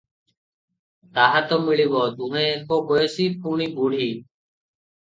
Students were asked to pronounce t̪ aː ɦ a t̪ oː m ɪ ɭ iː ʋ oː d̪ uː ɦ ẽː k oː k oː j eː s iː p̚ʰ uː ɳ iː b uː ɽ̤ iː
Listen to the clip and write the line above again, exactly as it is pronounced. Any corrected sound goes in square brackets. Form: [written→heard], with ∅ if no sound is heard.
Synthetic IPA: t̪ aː ɦ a t̪ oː m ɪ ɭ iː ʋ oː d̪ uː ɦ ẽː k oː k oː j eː s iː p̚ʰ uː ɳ iː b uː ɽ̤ iː